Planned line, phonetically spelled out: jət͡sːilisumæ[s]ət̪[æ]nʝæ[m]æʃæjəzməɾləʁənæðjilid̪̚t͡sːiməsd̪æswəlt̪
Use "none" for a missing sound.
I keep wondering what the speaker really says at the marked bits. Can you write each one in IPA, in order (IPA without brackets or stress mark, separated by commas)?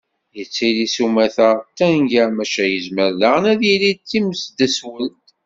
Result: θ, æ, m